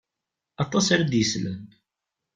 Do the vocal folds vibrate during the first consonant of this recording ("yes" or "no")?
no